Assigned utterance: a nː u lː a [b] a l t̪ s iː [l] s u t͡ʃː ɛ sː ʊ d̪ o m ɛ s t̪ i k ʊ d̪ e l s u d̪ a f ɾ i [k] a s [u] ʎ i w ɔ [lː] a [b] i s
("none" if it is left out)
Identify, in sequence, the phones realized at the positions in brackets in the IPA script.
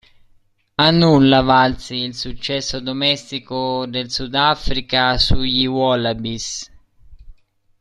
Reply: v, l, k, u, l, b

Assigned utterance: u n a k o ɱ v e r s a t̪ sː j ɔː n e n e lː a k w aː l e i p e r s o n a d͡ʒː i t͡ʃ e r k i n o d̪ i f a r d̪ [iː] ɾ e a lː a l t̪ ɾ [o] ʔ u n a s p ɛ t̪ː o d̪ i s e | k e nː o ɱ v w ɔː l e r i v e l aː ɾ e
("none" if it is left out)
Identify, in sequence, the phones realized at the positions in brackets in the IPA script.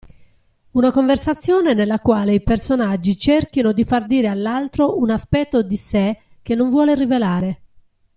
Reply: iː, o

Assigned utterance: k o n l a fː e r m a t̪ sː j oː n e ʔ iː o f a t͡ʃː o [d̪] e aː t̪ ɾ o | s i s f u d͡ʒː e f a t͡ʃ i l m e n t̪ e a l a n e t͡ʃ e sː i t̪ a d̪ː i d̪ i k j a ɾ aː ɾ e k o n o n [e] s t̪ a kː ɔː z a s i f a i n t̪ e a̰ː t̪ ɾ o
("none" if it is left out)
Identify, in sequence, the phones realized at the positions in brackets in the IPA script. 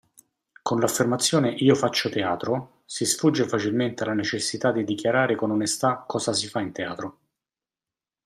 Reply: t̪, e

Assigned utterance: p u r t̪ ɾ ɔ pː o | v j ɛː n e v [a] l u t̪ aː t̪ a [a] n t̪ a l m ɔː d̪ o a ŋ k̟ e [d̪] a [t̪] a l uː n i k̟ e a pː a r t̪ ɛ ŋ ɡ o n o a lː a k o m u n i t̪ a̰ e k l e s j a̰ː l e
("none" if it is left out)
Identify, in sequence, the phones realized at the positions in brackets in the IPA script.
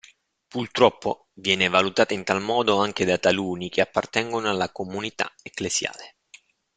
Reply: a, i, d̪, t̪

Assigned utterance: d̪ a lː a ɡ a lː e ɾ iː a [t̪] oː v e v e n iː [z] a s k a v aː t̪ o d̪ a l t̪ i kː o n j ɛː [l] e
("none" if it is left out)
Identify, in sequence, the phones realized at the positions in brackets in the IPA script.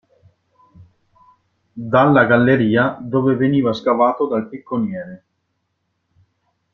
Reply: d̪, v, ɾ

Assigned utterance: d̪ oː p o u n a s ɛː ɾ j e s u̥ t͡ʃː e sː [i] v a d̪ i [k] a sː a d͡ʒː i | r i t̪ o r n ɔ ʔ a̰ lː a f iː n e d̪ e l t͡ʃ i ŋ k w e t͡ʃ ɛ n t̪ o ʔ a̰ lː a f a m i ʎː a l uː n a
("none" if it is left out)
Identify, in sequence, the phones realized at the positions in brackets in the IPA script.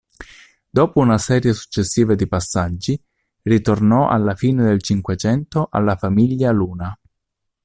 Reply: iː, p

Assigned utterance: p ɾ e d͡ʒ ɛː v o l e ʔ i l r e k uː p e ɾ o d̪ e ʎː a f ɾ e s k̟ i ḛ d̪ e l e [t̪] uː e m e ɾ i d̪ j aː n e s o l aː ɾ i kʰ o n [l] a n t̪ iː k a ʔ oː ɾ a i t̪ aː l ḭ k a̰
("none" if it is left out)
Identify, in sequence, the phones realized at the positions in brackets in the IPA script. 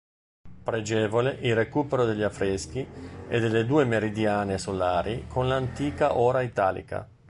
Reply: d̪, l

